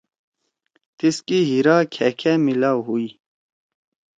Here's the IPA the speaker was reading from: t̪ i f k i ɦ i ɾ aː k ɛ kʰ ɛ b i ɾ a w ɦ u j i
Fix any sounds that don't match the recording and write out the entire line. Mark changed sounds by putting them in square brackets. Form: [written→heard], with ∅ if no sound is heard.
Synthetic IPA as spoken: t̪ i [f→s] k i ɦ i ɾ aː [k→kʰ] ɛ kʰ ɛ [b→m] i [ɾ→l] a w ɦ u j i